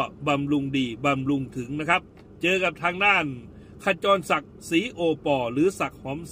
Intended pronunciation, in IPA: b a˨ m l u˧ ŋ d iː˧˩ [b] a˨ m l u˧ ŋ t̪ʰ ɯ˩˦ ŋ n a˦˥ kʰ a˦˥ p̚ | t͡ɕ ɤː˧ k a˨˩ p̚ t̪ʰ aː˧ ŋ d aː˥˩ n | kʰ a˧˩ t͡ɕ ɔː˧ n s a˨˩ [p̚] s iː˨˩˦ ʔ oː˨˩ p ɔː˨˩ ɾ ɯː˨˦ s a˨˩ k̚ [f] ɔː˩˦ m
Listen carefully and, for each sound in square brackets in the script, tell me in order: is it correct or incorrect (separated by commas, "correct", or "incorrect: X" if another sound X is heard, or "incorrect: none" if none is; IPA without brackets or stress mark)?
correct, incorrect: k̚, incorrect: h